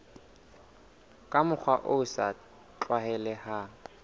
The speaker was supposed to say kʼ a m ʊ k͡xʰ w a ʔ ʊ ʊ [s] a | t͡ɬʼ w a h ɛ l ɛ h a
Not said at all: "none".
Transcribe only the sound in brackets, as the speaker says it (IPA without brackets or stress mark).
s